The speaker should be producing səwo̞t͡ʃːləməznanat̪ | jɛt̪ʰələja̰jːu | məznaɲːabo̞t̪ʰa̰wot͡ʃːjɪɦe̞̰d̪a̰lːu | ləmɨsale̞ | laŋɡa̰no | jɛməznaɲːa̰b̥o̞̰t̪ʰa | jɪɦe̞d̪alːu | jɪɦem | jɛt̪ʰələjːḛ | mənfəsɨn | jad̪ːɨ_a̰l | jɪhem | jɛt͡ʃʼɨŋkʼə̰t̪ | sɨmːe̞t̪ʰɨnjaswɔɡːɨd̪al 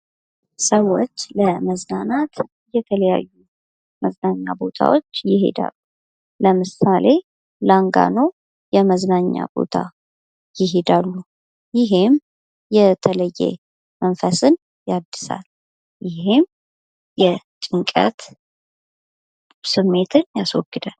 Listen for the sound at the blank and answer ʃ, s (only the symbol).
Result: s